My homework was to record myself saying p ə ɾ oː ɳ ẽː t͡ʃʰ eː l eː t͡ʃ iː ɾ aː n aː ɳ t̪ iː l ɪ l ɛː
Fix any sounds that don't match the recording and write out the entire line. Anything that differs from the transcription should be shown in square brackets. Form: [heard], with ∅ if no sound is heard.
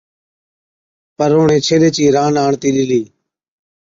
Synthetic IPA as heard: p ə ɾ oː ɳ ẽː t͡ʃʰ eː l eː t͡ʃ iː ɾ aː n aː ɳ t̪ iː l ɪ l [iː]

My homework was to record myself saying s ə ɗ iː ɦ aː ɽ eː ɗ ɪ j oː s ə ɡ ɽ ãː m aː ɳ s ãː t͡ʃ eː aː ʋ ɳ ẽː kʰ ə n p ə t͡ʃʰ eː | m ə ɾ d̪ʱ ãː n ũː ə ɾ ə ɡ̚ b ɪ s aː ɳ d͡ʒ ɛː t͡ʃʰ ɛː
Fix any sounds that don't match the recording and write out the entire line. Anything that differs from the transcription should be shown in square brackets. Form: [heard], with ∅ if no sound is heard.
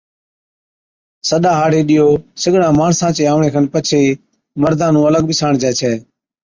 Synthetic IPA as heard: s ə ɗ [aː] ɦ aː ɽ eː ɗ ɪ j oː s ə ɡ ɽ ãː m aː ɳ s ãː t͡ʃ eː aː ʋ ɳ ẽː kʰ ə n p ə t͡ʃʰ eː | m ə ɾ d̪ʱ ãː n ũː ə [l] ə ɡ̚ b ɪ s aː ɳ d͡ʒ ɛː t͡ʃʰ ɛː

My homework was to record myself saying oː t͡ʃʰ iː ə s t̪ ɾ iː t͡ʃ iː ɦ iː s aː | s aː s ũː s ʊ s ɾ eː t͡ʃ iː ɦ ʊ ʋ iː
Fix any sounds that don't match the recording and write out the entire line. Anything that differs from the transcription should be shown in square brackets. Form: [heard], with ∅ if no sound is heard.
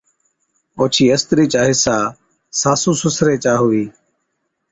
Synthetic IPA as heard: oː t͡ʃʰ iː ə s t̪ ɾ iː t͡ʃ [aː] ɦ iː s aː | s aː s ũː s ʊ s ɾ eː t͡ʃ [aː] ɦ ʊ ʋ iː

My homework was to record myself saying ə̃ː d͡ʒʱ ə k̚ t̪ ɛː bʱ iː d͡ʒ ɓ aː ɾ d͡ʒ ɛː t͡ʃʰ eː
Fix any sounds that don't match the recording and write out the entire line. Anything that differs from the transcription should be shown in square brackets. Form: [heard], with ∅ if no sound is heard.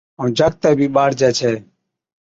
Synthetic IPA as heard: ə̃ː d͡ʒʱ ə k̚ t̪ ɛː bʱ iː [∅] ɓ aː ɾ d͡ʒ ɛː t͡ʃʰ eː

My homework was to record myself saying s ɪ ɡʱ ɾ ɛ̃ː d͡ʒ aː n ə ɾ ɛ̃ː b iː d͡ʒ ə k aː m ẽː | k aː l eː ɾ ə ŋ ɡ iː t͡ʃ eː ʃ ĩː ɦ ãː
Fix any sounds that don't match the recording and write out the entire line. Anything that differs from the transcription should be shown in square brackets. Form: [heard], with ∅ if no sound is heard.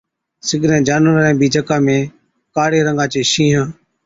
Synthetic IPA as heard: s ɪ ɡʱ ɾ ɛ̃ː d͡ʒ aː n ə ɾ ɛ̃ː b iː d͡ʒ ə k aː m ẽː | k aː [ɽ] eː ɾ ə ŋ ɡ [aː] t͡ʃ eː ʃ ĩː ɦ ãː

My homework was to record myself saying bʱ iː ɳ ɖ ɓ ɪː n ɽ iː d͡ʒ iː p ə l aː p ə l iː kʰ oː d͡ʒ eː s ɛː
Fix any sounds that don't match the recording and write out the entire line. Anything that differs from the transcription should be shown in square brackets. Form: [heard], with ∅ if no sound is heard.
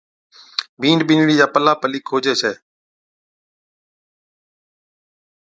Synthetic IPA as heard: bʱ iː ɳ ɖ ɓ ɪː n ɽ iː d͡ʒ [aː] p ə l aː p ə l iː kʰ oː d͡ʒ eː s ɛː

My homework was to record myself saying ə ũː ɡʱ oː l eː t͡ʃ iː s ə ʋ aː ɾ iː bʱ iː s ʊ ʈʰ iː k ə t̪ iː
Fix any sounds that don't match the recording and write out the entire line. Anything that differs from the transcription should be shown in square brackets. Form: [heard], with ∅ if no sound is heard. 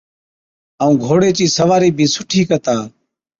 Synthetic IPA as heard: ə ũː ɡʱ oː [ɽ] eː t͡ʃ iː s ə ʋ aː ɾ iː bʱ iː s ʊ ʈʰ iː k ə t̪ [aː]

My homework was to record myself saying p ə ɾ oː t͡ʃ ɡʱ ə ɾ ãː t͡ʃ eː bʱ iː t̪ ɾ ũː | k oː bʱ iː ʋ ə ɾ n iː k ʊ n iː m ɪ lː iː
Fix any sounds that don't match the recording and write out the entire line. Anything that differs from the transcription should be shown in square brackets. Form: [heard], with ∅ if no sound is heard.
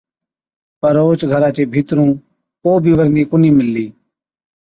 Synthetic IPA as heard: p ə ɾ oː t͡ʃ ɡʱ ə ɾ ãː t͡ʃ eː bʱ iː t̪ ɾ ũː | k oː bʱ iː ʋ ə ɾ n iː k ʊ n iː m ɪ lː iː

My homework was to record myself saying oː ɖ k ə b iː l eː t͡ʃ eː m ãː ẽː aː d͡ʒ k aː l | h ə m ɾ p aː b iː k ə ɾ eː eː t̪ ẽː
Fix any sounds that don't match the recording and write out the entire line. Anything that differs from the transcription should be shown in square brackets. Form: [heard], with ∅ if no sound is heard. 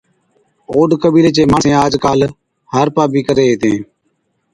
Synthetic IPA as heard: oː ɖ k ə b iː l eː t͡ʃ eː m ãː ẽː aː d͡ʒ k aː l | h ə [∅] ɾ p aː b iː k ə ɾ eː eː t̪ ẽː

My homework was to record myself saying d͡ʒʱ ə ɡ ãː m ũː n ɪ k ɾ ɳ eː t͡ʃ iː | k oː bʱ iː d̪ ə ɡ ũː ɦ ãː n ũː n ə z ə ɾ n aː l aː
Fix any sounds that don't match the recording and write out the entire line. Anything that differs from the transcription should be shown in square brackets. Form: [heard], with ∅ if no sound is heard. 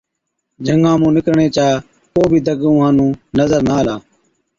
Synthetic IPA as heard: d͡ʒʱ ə [ŋ] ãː m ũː n ɪ k ɾ ɳ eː t͡ʃ [aː] | k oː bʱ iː d̪ ə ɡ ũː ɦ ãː n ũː n ə z ə ɾ n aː l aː

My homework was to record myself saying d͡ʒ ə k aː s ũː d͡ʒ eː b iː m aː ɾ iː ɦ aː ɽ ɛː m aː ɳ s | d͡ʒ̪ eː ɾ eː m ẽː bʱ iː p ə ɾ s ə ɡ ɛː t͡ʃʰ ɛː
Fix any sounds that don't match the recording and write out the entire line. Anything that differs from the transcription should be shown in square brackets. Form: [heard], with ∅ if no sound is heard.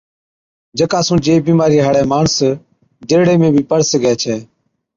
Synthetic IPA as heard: d͡ʒ ə k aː s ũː d͡ʒ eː b iː m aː ɾ iː ɦ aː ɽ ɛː m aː ɳ s | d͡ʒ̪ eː [ɽ] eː m ẽː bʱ iː p ə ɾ s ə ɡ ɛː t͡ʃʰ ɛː

